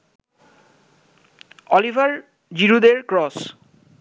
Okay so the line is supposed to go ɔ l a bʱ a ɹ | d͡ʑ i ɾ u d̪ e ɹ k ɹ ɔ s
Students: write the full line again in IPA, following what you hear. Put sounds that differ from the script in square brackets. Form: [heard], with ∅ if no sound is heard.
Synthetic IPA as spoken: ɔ l [i] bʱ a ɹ | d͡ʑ i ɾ u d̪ e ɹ k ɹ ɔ s